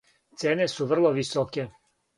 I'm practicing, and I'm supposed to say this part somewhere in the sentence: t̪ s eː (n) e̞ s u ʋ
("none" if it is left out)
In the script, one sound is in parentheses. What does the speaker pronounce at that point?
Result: n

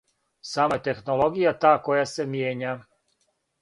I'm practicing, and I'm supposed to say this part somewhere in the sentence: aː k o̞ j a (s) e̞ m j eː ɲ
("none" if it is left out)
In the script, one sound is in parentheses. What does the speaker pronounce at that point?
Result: s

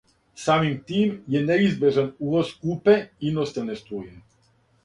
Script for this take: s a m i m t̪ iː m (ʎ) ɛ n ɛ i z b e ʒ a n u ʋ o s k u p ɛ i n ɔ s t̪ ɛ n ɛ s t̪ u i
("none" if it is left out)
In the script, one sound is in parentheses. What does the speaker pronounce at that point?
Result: j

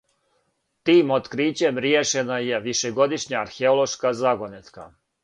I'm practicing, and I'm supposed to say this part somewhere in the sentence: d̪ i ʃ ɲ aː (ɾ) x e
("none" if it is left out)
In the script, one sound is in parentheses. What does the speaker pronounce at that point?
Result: ɾ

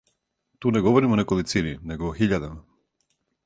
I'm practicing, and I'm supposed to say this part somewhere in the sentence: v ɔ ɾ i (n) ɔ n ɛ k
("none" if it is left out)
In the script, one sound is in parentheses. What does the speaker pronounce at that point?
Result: m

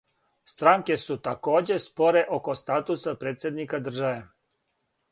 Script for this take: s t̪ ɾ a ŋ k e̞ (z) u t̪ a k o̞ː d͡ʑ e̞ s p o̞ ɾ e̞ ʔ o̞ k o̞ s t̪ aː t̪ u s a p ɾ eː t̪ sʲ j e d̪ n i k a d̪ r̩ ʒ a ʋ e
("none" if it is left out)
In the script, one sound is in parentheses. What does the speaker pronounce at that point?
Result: s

